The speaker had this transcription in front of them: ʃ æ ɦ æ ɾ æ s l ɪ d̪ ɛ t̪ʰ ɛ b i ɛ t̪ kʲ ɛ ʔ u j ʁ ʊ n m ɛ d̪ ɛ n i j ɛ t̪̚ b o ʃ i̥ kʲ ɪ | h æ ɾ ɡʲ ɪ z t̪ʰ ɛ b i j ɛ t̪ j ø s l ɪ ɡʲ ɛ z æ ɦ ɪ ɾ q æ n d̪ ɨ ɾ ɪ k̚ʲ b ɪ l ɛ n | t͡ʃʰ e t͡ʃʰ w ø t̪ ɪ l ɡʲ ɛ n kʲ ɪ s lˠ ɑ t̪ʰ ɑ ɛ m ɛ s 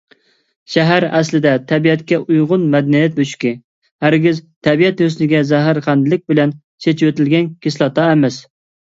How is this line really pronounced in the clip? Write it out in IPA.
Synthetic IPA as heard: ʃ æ ɦ æ ɾ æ s l ɪ d̪ ɛ t̪ʰ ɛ b i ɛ t̪ kʲ ɛ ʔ u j ʁ ʊ n m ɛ d̪ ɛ n i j ɛ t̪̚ b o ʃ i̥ kʲ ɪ | h æ ɾ ɡʲ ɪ z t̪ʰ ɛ b i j ɛ t̪ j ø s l ɪ ɡʲ ɛ z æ ɦ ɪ ɾ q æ n d̪ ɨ l ɪ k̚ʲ b ɪ l ɛ n | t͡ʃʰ e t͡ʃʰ w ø t̪ ɪ l ɡʲ ɛ n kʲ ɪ s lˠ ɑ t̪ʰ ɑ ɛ m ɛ s